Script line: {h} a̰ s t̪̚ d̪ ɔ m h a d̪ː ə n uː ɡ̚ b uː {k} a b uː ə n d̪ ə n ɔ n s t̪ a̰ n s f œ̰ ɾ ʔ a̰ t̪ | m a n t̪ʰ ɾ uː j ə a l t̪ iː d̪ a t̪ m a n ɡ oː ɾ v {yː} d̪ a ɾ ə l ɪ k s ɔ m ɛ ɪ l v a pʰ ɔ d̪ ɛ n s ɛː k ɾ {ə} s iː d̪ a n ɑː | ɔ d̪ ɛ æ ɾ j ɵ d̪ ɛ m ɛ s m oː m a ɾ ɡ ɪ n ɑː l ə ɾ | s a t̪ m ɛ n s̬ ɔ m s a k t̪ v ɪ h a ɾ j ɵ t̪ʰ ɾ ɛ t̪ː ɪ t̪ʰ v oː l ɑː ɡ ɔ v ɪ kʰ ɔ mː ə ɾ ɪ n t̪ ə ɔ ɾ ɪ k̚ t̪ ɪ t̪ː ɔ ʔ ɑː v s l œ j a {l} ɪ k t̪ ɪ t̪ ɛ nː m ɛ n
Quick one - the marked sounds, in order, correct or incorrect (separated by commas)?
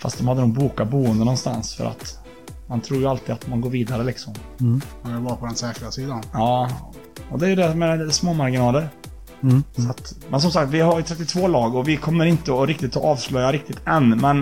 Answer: incorrect, correct, incorrect, incorrect, incorrect